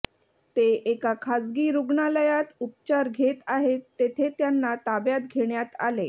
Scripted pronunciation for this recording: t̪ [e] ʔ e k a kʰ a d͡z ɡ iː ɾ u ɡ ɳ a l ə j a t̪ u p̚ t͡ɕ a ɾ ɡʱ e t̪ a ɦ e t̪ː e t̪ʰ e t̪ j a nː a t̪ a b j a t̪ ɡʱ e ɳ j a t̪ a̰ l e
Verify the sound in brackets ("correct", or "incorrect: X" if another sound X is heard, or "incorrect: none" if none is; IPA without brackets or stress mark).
correct